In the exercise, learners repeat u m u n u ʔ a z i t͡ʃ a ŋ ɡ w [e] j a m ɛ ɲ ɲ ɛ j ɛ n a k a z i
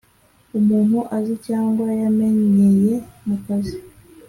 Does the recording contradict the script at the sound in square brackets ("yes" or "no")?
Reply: yes